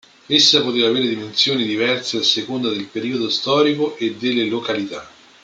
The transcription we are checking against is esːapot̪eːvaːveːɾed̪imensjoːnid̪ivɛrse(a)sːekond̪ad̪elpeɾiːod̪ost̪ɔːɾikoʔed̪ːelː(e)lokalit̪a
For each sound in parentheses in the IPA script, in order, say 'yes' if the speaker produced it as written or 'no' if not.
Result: yes, yes

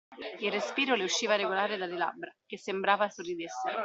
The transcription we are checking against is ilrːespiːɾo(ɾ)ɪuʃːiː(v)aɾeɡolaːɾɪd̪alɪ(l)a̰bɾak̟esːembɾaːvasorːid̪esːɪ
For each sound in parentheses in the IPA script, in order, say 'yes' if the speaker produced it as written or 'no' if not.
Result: no, yes, yes

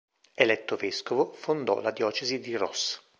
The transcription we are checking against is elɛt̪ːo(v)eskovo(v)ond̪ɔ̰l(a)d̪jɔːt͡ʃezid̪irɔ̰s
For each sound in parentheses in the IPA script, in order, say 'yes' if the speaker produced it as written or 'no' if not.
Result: yes, no, yes

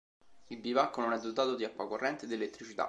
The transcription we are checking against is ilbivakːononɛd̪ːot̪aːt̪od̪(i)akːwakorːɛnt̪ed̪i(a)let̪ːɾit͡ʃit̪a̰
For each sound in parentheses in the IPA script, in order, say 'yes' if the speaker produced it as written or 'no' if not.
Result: yes, no

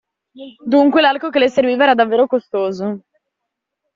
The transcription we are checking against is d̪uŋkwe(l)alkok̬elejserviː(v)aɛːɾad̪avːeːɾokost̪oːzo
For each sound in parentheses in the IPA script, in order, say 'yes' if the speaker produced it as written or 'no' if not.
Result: yes, yes

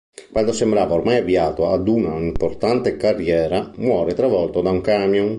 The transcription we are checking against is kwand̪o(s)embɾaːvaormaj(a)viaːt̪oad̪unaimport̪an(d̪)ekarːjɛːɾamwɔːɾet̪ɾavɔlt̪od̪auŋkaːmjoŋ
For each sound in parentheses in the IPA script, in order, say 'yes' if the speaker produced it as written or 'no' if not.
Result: yes, yes, no

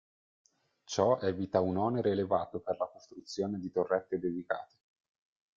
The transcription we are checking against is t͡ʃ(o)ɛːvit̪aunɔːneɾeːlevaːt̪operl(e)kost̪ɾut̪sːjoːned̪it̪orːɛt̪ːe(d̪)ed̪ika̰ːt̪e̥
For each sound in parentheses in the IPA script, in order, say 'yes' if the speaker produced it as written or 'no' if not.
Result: no, no, yes

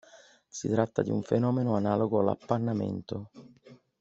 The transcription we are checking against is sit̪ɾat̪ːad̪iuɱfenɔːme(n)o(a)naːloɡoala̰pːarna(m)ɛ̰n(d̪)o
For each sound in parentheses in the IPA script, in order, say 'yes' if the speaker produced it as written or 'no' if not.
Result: yes, yes, yes, no

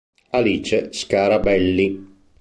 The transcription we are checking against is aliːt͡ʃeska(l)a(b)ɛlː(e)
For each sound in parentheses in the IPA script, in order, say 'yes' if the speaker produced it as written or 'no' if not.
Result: no, yes, no

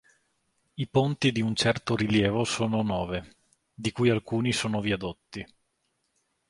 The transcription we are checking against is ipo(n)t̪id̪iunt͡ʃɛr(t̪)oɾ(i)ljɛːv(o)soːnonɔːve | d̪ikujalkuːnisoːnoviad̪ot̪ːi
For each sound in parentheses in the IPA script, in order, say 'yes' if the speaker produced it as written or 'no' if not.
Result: yes, yes, yes, yes

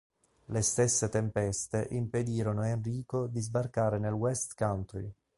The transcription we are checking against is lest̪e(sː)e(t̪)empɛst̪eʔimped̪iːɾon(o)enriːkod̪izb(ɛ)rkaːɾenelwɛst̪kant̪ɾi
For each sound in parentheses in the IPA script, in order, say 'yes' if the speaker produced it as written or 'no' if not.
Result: yes, yes, yes, no

